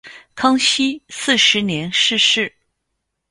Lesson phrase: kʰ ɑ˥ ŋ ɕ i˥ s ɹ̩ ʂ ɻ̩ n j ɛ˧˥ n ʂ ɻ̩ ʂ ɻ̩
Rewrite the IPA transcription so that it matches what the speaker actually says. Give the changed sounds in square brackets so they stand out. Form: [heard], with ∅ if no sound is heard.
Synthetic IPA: kʰ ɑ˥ ŋ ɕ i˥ s ɹ̩ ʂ ɻ̩ n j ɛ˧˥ n ʂ ɻ̩ ʂ ɻ̩